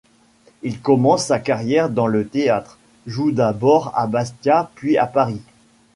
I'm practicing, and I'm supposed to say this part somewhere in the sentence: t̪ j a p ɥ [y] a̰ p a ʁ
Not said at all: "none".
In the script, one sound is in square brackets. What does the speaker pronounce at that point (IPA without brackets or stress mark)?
i